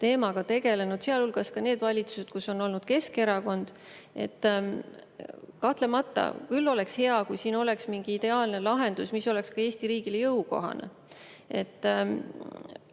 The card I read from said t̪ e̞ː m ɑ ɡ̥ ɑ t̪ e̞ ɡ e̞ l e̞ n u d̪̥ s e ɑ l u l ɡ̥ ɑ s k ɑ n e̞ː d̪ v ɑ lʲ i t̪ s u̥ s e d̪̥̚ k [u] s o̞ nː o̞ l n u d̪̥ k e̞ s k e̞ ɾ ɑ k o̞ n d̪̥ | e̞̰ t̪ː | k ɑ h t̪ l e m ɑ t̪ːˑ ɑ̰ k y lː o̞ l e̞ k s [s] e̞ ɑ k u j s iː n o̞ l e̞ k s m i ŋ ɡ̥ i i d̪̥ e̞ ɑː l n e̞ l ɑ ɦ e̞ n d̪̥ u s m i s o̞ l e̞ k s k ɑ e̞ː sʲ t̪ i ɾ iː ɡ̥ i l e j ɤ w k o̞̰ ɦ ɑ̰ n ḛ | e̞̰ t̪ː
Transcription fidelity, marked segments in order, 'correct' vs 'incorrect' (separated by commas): correct, incorrect